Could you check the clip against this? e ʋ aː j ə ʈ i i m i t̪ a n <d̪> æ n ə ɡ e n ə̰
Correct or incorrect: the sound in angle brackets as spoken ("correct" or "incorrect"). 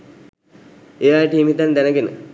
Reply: correct